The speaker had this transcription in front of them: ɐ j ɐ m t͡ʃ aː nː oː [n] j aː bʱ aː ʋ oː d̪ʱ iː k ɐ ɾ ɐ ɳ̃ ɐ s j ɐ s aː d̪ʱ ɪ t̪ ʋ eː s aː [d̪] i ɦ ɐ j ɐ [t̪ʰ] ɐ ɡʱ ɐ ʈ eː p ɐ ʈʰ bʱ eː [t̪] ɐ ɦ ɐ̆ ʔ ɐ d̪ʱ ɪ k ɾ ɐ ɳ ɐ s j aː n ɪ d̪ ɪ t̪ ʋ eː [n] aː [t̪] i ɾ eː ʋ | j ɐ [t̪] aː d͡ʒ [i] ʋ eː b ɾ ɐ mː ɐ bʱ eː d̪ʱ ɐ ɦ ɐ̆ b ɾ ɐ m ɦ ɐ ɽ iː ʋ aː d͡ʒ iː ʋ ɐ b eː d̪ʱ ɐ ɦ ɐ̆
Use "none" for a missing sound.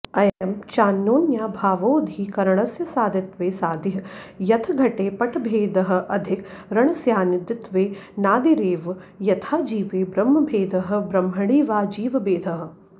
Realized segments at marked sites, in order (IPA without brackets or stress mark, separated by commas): n, d̪, t̪ʰ, d̪, n, d̪, t̪ʰ, iː